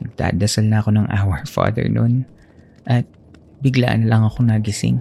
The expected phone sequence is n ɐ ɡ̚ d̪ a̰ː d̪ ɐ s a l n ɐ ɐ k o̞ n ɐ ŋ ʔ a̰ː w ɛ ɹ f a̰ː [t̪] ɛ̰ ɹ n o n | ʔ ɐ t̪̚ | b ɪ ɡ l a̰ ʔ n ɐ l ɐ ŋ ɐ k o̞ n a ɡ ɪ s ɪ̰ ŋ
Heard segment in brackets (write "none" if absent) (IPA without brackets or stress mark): d̪